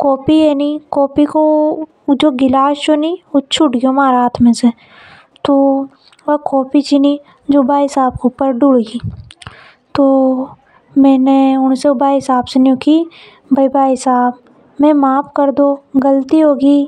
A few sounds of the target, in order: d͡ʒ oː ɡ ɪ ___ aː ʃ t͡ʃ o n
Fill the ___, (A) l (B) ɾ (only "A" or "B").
A